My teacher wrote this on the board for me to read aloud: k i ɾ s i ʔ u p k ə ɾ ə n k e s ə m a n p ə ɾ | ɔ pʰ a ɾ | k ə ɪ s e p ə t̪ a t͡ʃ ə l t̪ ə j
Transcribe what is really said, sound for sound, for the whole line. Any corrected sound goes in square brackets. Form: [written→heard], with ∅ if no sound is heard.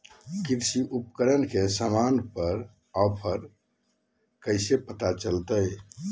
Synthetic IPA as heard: k i ɾ s i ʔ u p k ə ɾ ə n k e s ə m a n p ə ɾ | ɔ pʰ [a→ə] ɾ | k ə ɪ s e p ə t̪ a t͡ʃ ə l t̪ ə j